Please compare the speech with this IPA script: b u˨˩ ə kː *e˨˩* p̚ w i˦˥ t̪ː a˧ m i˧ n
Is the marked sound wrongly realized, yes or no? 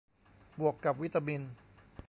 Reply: yes